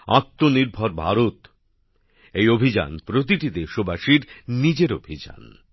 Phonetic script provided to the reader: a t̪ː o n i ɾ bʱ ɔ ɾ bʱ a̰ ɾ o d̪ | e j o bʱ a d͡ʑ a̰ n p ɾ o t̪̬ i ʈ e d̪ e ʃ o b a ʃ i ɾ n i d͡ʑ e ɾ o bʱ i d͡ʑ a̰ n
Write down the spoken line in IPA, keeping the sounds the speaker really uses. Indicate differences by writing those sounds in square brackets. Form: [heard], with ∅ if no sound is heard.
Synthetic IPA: a t̪ː o n i ɾ bʱ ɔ ɾ bʱ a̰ ɾ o [t̪] | e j o bʱ [i] d͡ʑ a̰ n p ɾ o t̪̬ i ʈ [i] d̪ e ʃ o b a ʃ i ɾ n i d͡ʑ e ɾ o bʱ i d͡ʑ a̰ n

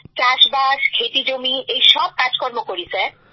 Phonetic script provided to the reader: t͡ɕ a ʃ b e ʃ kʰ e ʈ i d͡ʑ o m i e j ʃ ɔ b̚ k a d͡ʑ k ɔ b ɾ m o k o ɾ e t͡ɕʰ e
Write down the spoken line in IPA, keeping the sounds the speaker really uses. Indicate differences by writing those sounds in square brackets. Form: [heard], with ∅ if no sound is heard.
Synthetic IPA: t͡ɕ a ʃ b [a] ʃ kʰ e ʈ i d͡ʑ o m i e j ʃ ɔ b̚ k a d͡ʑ k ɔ [∅] ɾ m o k o ɾ [i] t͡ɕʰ e

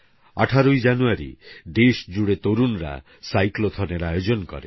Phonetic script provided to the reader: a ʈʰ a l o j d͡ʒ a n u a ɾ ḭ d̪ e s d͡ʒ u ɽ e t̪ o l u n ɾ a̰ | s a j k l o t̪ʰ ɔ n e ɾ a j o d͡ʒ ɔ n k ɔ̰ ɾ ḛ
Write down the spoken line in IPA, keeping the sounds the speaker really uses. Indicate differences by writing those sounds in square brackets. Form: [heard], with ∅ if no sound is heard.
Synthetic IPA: a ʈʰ a [ɾ] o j d͡ʒ a n u a ɾ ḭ d̪ e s d͡ʒ u ɽ e t̪ o [ɾ] u n ɾ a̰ | s a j k l o t̪ʰ ɔ n e ɾ a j o d͡ʒ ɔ n k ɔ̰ ɾ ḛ

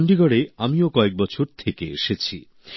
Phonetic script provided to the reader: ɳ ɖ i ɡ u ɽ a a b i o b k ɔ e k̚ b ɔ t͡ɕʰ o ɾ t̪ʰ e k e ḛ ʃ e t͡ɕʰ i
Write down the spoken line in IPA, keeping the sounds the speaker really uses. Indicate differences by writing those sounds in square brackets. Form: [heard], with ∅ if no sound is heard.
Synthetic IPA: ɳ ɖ i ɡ [ɔ] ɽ [e] a [m] i o [∅] k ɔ e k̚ b ɔ t͡ɕʰ o ɾ t̪ʰ e k e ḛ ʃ e t͡ɕʰ i

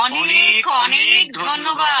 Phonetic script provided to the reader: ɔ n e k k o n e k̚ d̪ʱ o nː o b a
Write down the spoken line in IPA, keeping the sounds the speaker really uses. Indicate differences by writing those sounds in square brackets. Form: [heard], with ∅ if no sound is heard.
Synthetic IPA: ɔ n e k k [ɔ] n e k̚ d̪ʱ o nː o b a

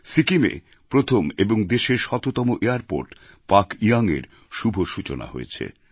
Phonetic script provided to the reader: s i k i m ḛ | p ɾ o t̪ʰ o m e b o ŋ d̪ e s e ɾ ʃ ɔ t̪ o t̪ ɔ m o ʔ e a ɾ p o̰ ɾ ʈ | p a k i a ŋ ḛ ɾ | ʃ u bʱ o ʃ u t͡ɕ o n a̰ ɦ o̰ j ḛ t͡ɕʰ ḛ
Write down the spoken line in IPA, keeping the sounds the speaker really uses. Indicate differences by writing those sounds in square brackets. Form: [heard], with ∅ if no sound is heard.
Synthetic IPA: s i k i m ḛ | p ɾ o t̪ʰ o m e b o ŋ d̪ e [ʃ] e ɾ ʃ ɔ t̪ o t̪ ɔ m o ʔ e a ɾ p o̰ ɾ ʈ | p a k i a ŋ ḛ ɾ | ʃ u bʱ o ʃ u t͡ɕ o n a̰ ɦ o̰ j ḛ t͡ɕʰ ḛ

